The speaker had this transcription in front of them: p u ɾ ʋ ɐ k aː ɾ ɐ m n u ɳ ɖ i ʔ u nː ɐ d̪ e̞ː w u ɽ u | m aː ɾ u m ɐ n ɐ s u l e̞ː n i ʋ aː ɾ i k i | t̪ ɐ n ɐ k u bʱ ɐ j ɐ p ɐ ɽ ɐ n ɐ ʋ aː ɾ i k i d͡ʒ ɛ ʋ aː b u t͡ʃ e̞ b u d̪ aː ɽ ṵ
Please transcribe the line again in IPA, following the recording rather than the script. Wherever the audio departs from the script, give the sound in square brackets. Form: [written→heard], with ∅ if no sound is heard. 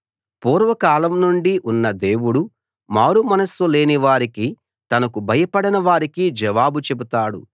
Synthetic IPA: p [u→uː] ɾ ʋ ɐ k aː [ɾ→l] ɐ m n u ɳ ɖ i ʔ u nː ɐ d̪ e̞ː w u ɽ u | m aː ɾ u m ɐ n ɐ s u l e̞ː n i ʋ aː ɾ i k i | t̪ ɐ n ɐ k u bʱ ɐ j ɐ p ɐ ɽ ɐ n ɐ ʋ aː ɾ i k i d͡ʒ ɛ ʋ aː b u t͡ʃ e̞ b u [d̪→t̪] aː ɽ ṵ

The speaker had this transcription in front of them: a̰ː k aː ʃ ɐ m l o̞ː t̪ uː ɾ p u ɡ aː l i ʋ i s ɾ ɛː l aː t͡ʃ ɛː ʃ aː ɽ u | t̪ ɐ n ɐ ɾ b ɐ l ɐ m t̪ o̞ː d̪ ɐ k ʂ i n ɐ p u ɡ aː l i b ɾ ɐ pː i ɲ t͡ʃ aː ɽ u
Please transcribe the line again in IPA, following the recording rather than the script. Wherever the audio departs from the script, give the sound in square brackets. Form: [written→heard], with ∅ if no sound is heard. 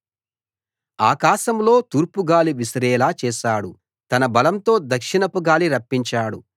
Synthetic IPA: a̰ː k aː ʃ ɐ m l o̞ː t̪ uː ɾ p u ɡ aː l i ʋ i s ɾ ɛː l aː t͡ʃ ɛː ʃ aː ɽ u | t̪ ɐ n ɐ [ɾ→∅] b ɐ l ɐ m t̪ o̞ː d̪ ɐ k ʂ i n ɐ p u ɡ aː l i [b→∅] ɾ ɐ pː i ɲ t͡ʃ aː ɽ u

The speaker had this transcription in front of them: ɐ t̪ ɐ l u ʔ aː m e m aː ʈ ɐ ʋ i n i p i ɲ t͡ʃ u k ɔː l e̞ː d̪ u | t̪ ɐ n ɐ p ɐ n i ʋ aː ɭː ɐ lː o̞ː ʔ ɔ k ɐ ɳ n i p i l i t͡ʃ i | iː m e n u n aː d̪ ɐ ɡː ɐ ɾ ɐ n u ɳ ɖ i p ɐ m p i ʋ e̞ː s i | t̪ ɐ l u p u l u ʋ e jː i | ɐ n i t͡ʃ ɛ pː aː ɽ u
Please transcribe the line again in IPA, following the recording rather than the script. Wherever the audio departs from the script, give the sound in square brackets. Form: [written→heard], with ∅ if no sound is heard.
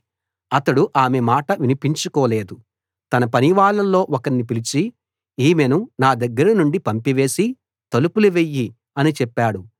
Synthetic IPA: ɐ t̪ ɐ [l→ɽ] u ʔ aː m e m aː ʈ ɐ ʋ i n i p i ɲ t͡ʃ u k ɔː l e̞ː d̪ u | t̪ ɐ n ɐ p ɐ n i ʋ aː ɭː ɐ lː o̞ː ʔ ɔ k ɐ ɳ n i p i l i t͡ʃ i | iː m e n u n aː d̪ ɐ ɡː ɐ ɾ ɐ n u ɳ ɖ i p ɐ m p i ʋ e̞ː s i | t̪ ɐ l u p u l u ʋ e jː i | ɐ n i t͡ʃ ɛ pː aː ɽ u

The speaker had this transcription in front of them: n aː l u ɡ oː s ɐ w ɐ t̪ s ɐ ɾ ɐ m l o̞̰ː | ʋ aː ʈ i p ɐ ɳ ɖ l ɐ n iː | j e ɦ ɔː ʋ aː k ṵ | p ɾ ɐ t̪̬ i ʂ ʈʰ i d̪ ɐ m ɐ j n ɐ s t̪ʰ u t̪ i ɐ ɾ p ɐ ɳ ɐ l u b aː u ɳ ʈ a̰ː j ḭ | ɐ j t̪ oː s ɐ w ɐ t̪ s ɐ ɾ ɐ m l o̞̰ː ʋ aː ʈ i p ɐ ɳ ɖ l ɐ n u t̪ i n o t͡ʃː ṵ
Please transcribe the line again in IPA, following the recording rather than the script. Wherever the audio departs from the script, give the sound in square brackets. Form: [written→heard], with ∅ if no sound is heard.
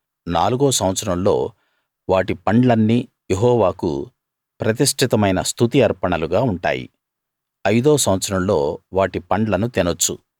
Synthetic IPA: n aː l u ɡ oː s ɐ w ɐ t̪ s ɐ ɾ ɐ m l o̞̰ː | ʋ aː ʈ i p ɐ ɳ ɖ l ɐ [n→nː] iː | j e ɦ ɔː ʋ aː k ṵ | p ɾ ɐ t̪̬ i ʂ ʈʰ i [d̪→t̪] ɐ m ɐ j n ɐ s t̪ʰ u t̪ i ɐ ɾ p ɐ ɳ ɐ l u [b→ɡ] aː u ɳ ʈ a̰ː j ḭ | ɐ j [t̪→d̪] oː s ɐ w ɐ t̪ s ɐ ɾ ɐ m l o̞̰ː ʋ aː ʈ i p ɐ ɳ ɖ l ɐ n u t̪ i n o t͡ʃː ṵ

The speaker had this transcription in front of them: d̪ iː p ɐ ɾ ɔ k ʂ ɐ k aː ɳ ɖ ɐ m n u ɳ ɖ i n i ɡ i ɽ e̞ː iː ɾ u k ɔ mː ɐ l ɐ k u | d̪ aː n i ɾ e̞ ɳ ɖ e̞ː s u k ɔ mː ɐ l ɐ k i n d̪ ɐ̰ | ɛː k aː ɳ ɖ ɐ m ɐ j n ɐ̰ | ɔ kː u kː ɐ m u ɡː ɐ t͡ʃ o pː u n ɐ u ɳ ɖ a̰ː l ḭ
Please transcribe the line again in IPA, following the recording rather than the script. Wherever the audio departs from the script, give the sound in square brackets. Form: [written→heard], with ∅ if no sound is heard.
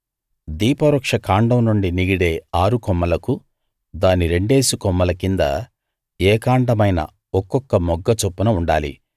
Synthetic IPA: d̪ iː p ɐ ɾ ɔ k ʂ ɐ k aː ɳ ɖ ɐ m n u ɳ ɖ i n i ɡ i ɽ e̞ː [iː→aː] ɾ u k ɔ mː ɐ l ɐ k u | d̪ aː n i ɾ e̞ ɳ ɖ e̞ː s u k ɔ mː ɐ l ɐ k i n d̪ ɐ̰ | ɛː k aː ɳ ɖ ɐ m ɐ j n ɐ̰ | ɔ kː [u→ɔ] kː ɐ m [u→ɔ] ɡː ɐ t͡ʃ o pː u n ɐ u ɳ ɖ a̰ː l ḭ

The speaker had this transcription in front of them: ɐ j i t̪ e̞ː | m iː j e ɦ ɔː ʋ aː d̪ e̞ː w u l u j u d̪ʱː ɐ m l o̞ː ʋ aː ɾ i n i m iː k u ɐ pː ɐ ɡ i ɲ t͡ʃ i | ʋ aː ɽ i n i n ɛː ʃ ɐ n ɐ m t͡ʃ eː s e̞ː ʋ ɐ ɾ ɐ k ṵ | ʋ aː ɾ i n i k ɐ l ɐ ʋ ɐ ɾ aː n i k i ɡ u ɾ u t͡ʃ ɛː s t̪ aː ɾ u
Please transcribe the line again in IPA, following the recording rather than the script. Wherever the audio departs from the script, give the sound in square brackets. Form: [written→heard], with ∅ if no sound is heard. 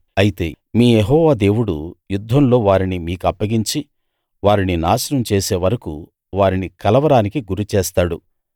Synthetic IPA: ɐ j i t̪ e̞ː | m iː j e ɦ ɔː ʋ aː d̪ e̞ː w u [l→ɽ] u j u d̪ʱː ɐ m l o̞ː ʋ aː ɾ i n i m iː k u ɐ pː ɐ ɡ i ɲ t͡ʃ i | ʋ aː [ɽ→ɾ] i n i n [ɛː→aː] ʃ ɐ n ɐ m t͡ʃ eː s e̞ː ʋ ɐ ɾ ɐ k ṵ | ʋ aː ɾ i n i k ɐ l ɐ ʋ ɐ ɾ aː n i k i ɡ u ɾ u t͡ʃ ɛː s t̪ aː [ɾ→ɽ] u

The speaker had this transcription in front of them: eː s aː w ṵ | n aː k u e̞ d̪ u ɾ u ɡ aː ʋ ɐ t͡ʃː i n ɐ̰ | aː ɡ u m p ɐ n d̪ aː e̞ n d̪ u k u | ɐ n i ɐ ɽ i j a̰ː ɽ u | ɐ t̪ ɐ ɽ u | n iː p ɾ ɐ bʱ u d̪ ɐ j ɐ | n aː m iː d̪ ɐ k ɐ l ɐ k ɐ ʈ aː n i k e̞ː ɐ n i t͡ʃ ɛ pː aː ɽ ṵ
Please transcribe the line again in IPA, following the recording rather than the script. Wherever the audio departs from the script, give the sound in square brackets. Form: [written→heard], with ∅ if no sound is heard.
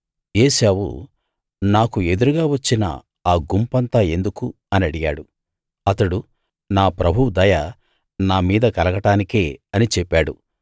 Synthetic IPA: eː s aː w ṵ | n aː k u e̞ d̪ u ɾ u ɡ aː ʋ ɐ t͡ʃː i n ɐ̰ | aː ɡ u m p ɐ n [d̪→t̪] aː e̞ n d̪ u k u | ɐ n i ɐ ɽ i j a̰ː ɽ u | ɐ t̪ ɐ ɽ u | n [iː→aː] p ɾ ɐ bʱ u d̪ ɐ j ɐ | n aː m iː d̪ ɐ k ɐ l ɐ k ɐ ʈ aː n i k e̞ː ɐ n i t͡ʃ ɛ pː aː ɽ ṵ

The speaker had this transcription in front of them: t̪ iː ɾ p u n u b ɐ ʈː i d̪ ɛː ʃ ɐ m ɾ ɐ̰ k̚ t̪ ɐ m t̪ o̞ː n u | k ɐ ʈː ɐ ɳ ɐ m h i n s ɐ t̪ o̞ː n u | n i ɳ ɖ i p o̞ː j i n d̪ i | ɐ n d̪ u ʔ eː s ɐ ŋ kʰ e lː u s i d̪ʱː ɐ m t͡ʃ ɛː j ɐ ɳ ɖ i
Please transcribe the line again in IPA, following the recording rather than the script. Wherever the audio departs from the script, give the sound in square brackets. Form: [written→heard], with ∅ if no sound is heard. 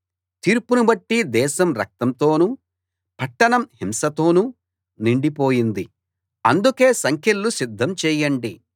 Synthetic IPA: t̪ iː ɾ p u n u b ɐ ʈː i d̪ ɛː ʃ ɐ m ɾ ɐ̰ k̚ t̪ ɐ m t̪ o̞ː n u | [k→p] ɐ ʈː ɐ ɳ ɐ m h i [n→m] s ɐ t̪ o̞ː n u | n i ɳ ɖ i p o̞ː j i n d̪ i | ɐ n d̪ u [ʔ→k] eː s ɐ ŋ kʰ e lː u s i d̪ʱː ɐ m t͡ʃ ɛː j ɐ ɳ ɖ i

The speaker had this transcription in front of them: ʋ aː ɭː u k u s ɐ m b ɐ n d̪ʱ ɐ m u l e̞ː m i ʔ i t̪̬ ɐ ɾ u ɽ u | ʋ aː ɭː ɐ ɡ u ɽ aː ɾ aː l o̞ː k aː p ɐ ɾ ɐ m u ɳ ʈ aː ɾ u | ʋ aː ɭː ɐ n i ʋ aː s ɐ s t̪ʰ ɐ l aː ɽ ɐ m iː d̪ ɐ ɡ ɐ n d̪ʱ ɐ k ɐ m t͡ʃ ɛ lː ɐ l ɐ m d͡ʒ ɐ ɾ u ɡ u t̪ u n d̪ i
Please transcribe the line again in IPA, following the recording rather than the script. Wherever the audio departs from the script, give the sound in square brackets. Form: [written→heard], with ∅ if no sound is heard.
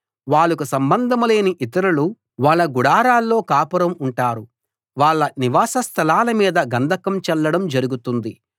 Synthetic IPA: ʋ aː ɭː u k u s ɐ m b ɐ n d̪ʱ ɐ m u l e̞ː [m→n] i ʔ i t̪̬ ɐ ɾ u [ɽ→l] u | ʋ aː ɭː ɐ ɡ u ɽ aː ɾ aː [l→lː] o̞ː k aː p ɐ ɾ ɐ m u ɳ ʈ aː ɾ u | ʋ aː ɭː ɐ n i ʋ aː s ɐ s t̪ʰ ɐ l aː [ɽ→l] ɐ m iː d̪ ɐ ɡ ɐ n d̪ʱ ɐ k ɐ m t͡ʃ ɛ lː ɐ [l→ɽ] ɐ m d͡ʒ ɐ ɾ u ɡ u t̪ u n d̪ i

